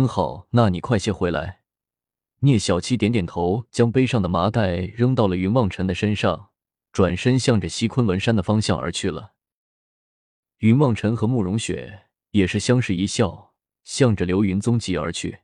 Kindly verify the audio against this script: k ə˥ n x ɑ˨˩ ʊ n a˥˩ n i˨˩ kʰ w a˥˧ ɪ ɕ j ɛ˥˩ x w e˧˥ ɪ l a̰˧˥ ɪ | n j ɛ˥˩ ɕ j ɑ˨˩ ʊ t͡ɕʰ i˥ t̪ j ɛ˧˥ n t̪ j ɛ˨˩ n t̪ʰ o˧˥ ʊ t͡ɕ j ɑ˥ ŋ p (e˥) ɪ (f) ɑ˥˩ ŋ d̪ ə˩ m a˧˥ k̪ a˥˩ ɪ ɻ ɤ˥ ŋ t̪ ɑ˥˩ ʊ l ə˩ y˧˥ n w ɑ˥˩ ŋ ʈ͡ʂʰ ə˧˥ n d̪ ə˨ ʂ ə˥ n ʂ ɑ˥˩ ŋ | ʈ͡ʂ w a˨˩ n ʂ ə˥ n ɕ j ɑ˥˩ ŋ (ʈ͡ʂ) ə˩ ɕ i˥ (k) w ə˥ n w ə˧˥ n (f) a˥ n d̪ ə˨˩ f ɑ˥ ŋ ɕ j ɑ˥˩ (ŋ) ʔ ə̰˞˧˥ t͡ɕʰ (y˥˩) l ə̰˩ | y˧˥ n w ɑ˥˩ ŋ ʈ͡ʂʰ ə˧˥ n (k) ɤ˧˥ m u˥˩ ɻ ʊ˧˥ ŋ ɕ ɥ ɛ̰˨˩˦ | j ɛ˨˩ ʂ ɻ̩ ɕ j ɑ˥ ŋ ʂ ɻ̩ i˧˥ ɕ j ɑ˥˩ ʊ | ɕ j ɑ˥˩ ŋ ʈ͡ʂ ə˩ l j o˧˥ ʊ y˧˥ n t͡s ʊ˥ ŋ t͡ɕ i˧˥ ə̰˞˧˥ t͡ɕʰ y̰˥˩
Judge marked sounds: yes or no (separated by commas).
yes, no, yes, no, no, yes, yes, no